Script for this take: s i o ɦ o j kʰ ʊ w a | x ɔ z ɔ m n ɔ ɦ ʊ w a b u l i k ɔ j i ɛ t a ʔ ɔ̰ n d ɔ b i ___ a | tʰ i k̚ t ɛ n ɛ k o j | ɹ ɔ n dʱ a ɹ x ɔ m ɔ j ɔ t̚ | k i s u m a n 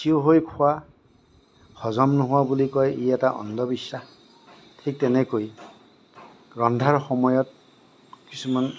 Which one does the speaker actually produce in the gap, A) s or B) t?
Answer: A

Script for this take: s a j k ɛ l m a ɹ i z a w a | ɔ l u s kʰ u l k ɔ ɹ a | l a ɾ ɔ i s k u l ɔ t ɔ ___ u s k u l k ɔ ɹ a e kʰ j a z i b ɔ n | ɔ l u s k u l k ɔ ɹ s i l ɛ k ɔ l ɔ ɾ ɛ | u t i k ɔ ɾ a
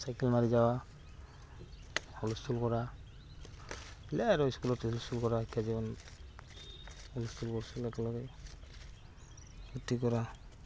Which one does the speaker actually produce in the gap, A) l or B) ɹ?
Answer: A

